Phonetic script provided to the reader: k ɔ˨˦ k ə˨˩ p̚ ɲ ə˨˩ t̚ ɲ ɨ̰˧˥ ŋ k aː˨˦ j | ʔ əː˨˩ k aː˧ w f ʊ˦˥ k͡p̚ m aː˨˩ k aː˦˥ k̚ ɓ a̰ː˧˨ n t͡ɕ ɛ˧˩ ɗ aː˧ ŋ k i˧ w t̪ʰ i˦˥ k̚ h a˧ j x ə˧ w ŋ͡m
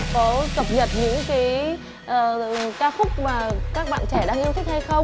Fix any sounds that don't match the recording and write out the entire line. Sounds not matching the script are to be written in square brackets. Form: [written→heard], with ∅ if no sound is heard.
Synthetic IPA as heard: k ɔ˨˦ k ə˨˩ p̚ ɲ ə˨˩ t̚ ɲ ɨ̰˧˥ ŋ k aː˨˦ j | ʔ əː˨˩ k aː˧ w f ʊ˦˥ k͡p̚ m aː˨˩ k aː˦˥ k̚ ɓ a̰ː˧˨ n t͡ɕ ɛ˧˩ ɗ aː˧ ŋ [k→ʔ] i˧ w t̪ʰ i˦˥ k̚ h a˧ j x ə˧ w ŋ͡m